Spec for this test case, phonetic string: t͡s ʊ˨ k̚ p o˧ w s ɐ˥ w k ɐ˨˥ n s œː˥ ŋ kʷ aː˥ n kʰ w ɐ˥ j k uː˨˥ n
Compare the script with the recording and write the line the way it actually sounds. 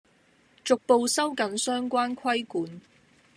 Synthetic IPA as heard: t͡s ʊ˨ k̚ p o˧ w s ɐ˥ w k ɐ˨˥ n s œː˥ ŋ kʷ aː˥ n kʰ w ɐ˥ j k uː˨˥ n